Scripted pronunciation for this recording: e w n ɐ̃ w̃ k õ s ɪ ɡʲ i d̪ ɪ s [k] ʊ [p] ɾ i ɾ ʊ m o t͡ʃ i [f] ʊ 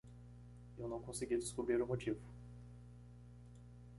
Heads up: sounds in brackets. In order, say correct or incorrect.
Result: correct, incorrect: b, incorrect: v

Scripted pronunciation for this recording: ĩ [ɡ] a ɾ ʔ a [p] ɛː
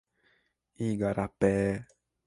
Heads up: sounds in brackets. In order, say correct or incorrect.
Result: correct, correct

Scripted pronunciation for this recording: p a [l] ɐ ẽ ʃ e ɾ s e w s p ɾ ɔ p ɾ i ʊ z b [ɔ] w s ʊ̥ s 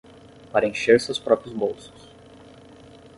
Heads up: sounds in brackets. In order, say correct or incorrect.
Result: incorrect: ɾ, incorrect: o

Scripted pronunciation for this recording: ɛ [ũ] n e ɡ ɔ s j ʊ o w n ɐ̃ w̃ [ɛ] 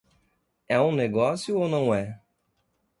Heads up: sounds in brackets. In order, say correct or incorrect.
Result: correct, correct

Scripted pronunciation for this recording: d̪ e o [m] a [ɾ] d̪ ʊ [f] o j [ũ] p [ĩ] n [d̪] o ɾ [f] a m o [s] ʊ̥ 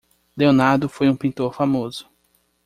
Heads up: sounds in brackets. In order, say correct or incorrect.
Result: incorrect: n, correct, correct, correct, correct, incorrect: t̪, correct, incorrect: z

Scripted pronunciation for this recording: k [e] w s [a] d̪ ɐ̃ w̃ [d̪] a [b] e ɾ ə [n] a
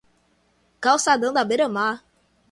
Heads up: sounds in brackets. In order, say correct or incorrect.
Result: incorrect: a, correct, correct, correct, incorrect: m

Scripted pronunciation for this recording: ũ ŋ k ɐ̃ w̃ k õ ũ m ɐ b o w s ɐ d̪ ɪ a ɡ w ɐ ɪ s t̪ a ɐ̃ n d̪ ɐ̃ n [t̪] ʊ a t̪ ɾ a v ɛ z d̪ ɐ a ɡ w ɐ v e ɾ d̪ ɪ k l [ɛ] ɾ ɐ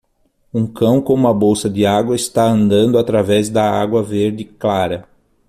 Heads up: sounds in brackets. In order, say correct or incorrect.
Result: incorrect: d̪, incorrect: a

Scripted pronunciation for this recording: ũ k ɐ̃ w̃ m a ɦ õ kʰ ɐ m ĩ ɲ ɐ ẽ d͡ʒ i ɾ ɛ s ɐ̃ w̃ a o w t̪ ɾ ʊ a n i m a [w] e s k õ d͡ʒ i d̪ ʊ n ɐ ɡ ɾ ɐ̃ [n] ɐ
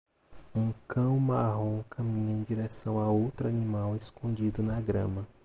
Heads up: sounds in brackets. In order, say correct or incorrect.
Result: correct, incorrect: m

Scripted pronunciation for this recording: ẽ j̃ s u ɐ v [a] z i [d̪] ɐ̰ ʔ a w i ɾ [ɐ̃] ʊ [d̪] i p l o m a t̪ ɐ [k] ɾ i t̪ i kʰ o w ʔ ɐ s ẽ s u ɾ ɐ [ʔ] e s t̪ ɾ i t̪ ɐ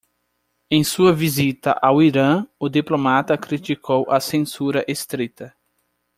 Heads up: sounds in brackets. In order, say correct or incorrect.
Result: incorrect: i, incorrect: t̪, correct, correct, correct, correct

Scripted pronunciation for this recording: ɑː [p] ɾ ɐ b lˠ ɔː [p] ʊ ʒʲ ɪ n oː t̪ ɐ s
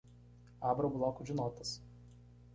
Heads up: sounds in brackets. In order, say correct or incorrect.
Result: incorrect: b, incorrect: k

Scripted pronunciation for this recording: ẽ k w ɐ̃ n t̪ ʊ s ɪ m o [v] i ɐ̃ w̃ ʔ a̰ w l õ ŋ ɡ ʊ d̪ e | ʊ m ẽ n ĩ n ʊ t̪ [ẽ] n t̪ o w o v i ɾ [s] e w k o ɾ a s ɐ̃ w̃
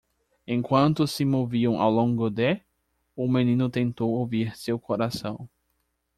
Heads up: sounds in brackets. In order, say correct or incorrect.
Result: correct, correct, correct

